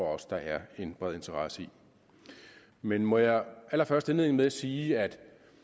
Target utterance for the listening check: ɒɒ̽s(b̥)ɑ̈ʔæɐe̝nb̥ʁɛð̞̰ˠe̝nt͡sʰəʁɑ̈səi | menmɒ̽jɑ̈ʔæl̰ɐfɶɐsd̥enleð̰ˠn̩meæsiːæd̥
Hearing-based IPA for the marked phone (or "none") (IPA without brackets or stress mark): d̥